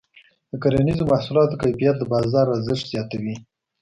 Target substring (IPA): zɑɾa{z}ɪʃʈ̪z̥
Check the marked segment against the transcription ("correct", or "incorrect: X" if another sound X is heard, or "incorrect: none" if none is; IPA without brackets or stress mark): correct